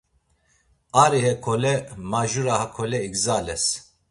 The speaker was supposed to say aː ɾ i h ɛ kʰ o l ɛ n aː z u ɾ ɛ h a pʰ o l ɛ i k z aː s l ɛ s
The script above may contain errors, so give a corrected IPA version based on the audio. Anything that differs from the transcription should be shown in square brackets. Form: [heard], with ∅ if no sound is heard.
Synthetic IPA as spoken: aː ɾ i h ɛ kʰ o l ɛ [m] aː [ʒ] u ɾ [a] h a [kʰ] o l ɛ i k z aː [∅] l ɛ s